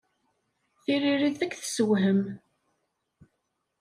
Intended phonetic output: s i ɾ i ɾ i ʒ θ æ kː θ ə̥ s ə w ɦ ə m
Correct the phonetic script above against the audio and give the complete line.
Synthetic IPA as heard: θ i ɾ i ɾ i ð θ æ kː θ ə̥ s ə w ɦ ə m